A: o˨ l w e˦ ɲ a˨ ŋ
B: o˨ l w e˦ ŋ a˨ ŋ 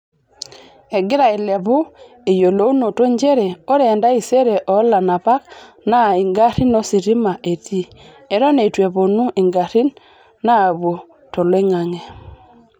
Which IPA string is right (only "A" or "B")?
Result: B